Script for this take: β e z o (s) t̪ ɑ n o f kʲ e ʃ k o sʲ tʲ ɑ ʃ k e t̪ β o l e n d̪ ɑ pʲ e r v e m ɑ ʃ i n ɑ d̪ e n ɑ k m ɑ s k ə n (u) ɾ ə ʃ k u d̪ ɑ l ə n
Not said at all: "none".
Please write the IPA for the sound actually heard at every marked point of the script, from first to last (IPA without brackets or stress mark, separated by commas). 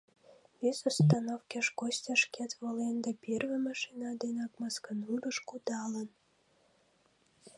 s, u